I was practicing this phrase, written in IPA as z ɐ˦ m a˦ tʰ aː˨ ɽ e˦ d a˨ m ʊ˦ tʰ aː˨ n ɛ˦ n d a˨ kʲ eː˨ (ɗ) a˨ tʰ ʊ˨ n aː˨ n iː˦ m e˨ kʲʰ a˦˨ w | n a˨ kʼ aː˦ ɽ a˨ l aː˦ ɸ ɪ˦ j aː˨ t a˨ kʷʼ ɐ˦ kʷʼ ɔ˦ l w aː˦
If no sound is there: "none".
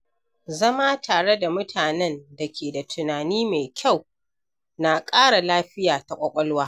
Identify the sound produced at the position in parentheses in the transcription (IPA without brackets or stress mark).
d